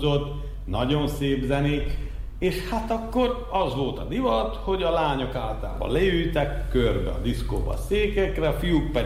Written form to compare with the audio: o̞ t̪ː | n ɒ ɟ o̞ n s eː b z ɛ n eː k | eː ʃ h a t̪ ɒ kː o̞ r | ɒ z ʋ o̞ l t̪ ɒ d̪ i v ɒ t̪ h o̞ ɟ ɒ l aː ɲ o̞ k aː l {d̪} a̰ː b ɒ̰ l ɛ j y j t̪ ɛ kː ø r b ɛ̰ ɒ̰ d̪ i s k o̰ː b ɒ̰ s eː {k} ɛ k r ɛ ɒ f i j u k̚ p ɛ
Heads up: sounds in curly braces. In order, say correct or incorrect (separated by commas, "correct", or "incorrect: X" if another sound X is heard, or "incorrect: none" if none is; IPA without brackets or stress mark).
incorrect: t̪, correct